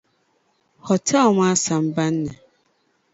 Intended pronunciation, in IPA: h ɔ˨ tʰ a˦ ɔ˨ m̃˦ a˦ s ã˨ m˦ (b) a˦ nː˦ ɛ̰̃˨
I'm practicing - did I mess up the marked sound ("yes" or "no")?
no